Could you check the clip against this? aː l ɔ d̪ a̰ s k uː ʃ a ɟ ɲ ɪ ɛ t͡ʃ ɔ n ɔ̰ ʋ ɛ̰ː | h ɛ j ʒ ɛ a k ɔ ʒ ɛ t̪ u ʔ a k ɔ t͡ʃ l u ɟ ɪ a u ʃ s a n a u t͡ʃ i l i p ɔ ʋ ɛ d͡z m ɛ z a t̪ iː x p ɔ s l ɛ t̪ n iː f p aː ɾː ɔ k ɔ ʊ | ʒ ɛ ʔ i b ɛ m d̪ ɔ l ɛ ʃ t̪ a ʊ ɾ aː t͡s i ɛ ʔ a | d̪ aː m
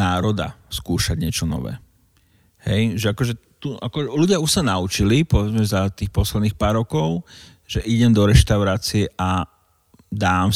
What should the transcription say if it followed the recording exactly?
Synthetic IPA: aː ɾ ɔ d̪ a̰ s k uː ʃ a ɟ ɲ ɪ ɛ t͡ʃ ɔ n ɔ̰ ʋ ɛ̰ː | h ɛ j ʒ ɛ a k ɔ ʒ ɛ t̪ u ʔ a k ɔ l u ɟ ɪ a u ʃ s a n a u t͡ʃ i l i p ɔ ʋ ɛ d͡z m ɛ z a t̪ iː x p ɔ s l ɛ d̪ n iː x p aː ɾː ɔ k ɔ ʊ | ʒ ɛ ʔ i ɟ ɛ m d̪ ɔ ɾ ɛ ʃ t̪ a ʊ ɾ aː t͡s i ɛ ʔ a | d̪ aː m